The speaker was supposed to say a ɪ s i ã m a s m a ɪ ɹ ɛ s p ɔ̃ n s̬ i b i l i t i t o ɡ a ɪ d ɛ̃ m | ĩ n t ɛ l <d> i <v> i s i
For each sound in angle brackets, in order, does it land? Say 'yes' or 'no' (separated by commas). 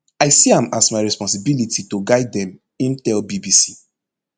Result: no, no